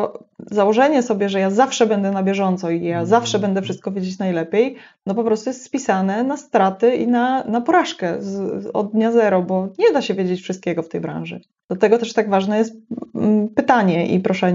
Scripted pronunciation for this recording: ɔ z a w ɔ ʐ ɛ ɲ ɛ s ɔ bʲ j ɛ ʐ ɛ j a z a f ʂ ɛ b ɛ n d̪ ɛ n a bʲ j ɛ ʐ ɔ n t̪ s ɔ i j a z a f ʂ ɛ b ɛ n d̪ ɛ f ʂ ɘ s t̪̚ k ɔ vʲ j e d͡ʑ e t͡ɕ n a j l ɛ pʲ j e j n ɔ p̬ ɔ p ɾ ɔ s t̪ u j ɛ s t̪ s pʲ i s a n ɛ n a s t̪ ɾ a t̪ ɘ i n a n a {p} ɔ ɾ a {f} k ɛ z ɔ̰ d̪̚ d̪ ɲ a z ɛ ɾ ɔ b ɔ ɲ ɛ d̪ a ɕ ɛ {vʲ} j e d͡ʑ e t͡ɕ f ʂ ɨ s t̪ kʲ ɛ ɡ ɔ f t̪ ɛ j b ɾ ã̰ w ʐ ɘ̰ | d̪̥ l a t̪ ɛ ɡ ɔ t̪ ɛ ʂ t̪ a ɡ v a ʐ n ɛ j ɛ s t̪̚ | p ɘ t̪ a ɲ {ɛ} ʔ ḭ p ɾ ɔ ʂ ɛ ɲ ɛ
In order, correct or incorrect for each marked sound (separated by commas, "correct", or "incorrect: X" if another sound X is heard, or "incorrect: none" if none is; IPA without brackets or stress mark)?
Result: correct, incorrect: ʂ, correct, correct